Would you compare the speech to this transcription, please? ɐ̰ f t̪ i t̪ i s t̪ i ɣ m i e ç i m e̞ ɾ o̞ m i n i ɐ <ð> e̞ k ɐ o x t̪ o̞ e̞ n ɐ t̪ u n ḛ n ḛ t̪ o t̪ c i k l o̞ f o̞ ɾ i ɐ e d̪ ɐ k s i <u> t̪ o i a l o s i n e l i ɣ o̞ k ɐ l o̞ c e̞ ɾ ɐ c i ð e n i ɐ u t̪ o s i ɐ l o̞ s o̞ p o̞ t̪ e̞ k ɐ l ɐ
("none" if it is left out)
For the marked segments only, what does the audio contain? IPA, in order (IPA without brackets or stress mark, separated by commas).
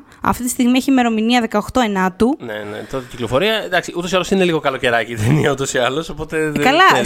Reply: ð, u